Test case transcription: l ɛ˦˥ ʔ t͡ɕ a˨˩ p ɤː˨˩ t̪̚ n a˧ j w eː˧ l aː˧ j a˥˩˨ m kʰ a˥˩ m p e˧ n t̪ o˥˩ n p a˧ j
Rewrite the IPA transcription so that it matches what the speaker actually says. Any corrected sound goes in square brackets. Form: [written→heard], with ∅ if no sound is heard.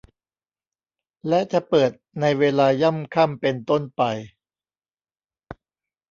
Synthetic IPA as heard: l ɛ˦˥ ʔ t͡ɕ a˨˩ p ɤː˨˩ t̪̚ n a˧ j w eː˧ l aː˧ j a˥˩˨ m kʰ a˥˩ m p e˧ n t̪ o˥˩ n p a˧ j